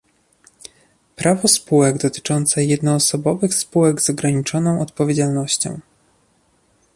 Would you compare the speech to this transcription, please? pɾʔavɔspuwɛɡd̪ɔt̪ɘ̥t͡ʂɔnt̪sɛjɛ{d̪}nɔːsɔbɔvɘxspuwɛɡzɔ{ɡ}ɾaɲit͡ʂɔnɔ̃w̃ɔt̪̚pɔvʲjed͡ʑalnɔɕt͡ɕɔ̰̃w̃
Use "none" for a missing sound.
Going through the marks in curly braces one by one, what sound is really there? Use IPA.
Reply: d̪, ɡ

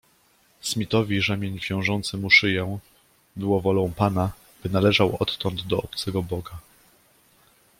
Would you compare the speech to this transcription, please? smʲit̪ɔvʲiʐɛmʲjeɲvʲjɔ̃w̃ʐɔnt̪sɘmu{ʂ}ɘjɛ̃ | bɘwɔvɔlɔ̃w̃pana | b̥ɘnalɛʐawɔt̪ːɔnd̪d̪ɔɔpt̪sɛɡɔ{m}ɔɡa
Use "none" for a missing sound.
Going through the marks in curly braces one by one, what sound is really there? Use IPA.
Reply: ʂ, b

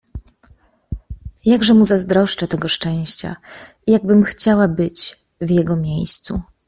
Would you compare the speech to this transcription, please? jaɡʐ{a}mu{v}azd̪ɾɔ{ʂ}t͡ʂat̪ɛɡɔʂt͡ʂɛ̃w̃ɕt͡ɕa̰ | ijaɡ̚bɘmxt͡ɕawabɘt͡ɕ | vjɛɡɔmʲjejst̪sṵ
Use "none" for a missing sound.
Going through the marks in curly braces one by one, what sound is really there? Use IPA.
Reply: ɛ, z, ʂ

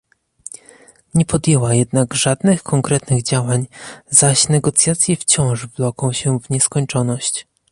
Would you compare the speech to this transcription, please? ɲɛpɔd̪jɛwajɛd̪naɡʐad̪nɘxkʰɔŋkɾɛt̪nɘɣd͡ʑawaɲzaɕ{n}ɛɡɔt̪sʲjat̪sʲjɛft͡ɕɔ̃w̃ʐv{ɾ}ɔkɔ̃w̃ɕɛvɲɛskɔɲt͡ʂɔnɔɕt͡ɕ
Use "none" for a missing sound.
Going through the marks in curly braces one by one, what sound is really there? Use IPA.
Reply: n, l

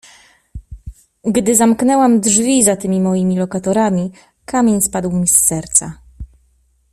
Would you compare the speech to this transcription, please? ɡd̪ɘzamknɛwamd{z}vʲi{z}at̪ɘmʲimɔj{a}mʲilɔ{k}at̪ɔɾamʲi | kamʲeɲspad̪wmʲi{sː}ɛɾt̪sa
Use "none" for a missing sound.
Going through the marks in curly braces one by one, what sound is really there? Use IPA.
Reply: ʐ, z, i, k, sː

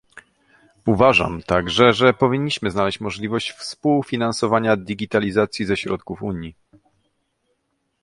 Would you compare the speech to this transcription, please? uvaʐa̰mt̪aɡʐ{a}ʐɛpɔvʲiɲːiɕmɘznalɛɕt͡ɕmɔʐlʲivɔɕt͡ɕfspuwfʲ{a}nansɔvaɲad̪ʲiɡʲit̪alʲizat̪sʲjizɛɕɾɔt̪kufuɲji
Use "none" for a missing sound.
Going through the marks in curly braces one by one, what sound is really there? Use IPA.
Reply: ɛ, i

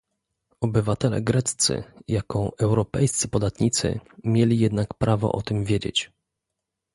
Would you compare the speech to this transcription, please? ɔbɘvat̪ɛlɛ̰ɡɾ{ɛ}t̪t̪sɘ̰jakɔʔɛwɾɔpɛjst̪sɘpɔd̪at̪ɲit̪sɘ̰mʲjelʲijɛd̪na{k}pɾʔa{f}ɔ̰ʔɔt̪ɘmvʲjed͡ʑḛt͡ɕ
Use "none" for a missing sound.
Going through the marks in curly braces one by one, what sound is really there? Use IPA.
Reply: ɛ, k, v

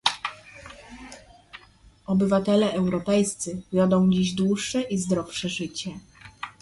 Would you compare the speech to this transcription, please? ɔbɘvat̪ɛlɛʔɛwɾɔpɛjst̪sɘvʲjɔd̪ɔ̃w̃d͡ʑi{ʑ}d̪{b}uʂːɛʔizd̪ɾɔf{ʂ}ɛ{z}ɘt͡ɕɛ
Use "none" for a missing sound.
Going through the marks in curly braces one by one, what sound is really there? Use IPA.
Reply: ʑ, w, ʂ, ʐ

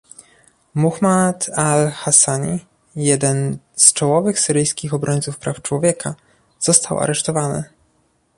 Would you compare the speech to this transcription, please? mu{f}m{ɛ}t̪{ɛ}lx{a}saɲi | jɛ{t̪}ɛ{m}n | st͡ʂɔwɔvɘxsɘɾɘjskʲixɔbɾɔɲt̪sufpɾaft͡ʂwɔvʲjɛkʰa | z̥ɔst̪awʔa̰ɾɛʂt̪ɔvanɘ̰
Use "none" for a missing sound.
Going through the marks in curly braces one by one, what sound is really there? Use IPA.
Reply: x, a, a, a, d̪, none

